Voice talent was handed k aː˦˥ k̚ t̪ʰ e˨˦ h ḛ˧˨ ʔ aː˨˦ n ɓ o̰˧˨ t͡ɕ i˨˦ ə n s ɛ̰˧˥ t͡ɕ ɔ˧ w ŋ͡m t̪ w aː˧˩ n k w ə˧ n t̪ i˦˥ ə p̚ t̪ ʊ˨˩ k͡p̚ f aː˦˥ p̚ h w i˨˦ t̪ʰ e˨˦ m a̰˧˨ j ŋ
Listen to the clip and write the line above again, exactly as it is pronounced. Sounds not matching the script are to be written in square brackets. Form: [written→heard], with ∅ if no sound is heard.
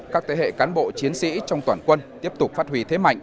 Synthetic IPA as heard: k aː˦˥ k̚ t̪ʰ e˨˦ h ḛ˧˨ [ʔ→k] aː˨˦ n ɓ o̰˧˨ t͡ɕ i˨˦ ə n s [ɛ̰˧˥→ḭ˧˥] t͡ɕ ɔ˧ w ŋ͡m t̪ w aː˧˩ n k w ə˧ n t̪ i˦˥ ə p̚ t̪ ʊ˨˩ k͡p̚ f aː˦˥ [p̚→t̚] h w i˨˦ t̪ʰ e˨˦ m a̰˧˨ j ŋ